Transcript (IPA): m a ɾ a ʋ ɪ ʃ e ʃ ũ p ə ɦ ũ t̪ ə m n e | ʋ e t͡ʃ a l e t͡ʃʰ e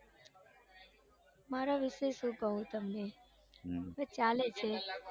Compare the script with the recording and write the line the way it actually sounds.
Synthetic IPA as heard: m a ɾ a ʋ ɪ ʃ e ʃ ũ k ə ɦ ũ t̪ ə m n e | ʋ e t͡ʃ a l e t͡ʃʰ e